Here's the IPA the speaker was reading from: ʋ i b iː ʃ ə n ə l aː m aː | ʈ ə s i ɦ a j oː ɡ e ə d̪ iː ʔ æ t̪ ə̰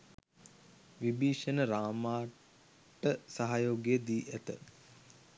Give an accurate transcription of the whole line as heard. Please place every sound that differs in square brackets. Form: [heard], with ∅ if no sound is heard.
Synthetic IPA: ʋ i b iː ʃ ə n ə [ɾ] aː m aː | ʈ ə s [a] ɦ a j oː ɡ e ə d̪ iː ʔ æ t̪ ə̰